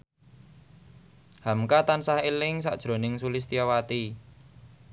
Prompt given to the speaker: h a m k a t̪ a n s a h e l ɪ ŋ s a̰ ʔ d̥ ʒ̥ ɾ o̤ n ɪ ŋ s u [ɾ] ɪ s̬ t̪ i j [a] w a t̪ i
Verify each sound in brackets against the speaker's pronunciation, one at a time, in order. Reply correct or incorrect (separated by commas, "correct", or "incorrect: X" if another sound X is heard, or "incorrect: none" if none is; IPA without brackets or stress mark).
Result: incorrect: l, correct